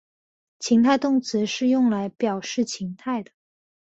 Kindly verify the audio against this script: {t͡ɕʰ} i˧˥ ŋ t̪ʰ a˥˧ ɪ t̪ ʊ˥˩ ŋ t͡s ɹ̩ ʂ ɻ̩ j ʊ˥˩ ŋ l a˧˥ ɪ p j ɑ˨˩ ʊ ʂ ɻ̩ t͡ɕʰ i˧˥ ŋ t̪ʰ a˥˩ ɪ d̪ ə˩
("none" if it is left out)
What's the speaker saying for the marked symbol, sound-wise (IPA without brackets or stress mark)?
t͡ɕʰ